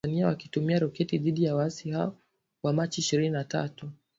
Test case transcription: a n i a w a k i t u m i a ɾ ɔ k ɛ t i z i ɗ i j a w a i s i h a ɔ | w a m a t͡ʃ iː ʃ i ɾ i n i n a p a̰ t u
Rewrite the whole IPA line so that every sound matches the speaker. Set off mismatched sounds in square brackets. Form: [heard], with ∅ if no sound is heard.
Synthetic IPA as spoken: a n i a w a k i t u m i a ɾ ɔ k ɛ t i [ð] i ɗ i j a w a [a] s i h a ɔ | w a m a t͡ʃ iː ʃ i ɾ i n i n a [t] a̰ t u